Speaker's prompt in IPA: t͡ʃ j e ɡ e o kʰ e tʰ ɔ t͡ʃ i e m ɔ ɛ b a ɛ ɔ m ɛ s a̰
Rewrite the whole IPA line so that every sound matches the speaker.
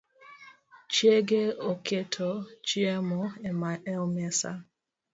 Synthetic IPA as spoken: t͡ʃ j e ɡ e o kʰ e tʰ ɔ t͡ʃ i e m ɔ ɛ m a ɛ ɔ m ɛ s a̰